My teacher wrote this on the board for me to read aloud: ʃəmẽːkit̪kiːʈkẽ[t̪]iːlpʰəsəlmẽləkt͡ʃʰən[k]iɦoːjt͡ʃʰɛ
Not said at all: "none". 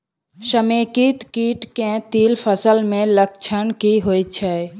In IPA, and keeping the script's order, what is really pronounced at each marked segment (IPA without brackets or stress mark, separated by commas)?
t̪, k